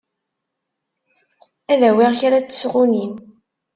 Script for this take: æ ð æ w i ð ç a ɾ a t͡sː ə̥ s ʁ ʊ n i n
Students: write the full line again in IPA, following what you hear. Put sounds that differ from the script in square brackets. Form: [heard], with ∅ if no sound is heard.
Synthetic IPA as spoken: æ ð æ w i [ʁ] ç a ɾ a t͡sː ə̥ s ʁ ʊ n i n